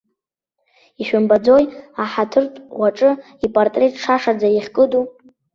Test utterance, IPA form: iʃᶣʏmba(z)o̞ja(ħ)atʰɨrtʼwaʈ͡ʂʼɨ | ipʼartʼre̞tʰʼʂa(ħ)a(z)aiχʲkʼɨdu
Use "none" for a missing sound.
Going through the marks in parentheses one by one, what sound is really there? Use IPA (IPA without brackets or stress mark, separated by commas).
d͡z, ħ, ʂ, d͡z